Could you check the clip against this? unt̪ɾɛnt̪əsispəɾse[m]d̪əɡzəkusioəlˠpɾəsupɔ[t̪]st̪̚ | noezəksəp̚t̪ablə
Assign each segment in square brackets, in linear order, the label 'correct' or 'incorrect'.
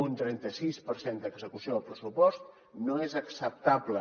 incorrect: n, incorrect: none

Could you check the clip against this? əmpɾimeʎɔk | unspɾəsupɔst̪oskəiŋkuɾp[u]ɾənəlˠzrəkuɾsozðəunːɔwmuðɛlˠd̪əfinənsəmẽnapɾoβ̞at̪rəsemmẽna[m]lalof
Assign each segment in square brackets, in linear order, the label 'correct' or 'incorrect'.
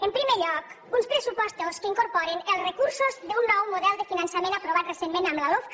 incorrect: ɔ, correct

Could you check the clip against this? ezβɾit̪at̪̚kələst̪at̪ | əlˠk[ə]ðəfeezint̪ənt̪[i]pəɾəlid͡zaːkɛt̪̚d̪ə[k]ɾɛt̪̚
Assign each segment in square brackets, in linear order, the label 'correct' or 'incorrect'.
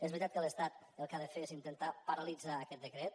incorrect: a, incorrect: a, correct

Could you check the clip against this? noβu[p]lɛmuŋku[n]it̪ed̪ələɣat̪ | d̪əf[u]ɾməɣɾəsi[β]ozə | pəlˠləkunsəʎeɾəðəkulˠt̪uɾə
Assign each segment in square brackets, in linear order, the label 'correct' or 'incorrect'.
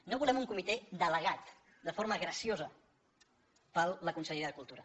incorrect: none, incorrect: m, incorrect: o, incorrect: none

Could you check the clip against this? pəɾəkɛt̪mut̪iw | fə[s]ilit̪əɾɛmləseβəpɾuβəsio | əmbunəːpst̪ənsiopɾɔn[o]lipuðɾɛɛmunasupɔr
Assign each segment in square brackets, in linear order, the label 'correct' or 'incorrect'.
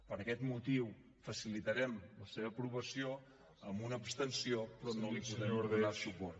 correct, correct

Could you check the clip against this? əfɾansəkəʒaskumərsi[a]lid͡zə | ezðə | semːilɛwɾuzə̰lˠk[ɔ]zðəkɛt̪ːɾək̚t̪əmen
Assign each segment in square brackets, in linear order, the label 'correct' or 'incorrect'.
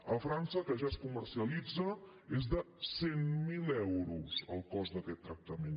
incorrect: ə, correct

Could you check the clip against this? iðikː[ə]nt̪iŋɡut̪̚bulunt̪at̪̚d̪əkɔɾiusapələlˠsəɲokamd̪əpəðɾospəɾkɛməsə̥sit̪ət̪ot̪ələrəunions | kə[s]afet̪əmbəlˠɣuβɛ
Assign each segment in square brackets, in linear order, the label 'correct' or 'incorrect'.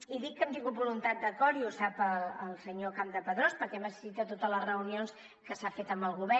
correct, correct

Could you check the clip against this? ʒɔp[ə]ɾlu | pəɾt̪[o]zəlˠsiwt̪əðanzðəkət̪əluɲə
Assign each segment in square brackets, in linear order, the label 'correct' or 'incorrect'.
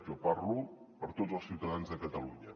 incorrect: a, correct

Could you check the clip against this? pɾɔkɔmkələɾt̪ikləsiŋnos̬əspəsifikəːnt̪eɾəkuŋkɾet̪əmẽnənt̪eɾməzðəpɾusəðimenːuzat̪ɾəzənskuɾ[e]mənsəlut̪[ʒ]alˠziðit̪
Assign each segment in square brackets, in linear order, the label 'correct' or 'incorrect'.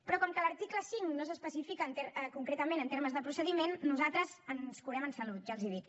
incorrect: ɛ, correct

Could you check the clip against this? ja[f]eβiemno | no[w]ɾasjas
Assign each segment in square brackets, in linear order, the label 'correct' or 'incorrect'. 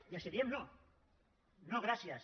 incorrect: s, incorrect: ɣ

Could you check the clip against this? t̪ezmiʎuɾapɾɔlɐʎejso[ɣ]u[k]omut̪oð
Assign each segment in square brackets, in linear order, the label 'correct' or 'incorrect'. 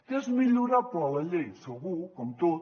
correct, correct

